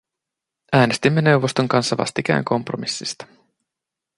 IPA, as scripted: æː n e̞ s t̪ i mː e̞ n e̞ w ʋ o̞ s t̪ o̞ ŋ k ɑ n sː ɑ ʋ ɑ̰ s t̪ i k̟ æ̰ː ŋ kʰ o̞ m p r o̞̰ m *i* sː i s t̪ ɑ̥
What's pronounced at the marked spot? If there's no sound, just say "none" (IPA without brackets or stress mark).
i